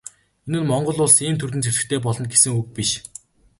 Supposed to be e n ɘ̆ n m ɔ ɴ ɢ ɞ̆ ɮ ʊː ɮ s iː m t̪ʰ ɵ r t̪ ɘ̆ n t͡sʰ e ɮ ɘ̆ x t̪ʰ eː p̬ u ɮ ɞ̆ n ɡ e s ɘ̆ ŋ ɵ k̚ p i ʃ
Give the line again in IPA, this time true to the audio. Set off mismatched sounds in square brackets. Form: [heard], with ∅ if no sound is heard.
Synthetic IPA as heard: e n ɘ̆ n m ɔ ɴ ɢ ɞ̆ ɮ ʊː ɮ s iː m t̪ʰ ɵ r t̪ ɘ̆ n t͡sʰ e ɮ ɘ̆ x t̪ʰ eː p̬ [ɔ] ɮ ɞ̆ n ɡ e s ɘ̆ ŋ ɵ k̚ p i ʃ